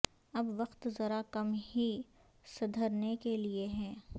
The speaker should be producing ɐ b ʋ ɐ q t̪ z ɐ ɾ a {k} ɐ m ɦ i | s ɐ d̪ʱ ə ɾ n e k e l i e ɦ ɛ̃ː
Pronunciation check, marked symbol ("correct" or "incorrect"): correct